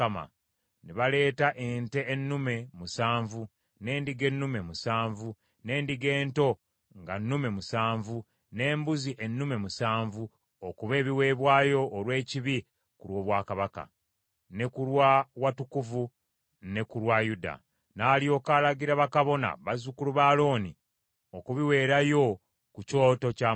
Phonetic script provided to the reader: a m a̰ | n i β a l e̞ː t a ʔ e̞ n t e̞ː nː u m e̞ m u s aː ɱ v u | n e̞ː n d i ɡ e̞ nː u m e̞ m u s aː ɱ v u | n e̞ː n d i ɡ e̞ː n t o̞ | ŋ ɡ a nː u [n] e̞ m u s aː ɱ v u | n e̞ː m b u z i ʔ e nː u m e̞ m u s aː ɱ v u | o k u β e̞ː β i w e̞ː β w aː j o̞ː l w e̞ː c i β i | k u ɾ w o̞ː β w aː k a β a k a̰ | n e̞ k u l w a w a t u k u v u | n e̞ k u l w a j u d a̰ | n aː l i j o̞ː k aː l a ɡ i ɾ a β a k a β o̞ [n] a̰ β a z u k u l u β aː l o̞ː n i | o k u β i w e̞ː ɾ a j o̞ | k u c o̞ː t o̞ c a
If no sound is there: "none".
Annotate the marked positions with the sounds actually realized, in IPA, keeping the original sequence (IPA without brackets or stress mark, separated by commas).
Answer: m, n